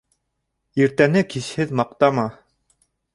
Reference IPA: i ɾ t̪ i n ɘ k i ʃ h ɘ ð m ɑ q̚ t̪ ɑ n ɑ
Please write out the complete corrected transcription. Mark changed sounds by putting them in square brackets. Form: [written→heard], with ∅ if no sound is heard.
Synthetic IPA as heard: i ɾ t̪ [i→æ] n ɘ k i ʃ h ɘ ð m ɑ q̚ t̪ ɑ [n→m] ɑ